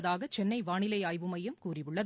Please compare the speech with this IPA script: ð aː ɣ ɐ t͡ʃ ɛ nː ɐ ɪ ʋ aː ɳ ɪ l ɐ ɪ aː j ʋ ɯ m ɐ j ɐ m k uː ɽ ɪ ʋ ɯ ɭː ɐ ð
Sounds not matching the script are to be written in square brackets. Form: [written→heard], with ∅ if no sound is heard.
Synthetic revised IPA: ð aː ɣ ɐ t͡ʃ ɛ nː ɐ ɪ ʋ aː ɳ ɪ l ɐ ɪ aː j ʋ ɯ m ɐ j ɐ m k uː [ɽ→r] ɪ ʋ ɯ ɭː ɐ ð